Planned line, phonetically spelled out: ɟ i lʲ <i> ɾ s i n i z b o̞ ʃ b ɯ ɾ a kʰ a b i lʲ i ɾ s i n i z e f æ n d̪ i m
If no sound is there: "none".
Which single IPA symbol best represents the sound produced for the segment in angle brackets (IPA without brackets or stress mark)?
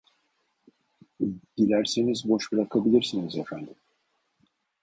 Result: æ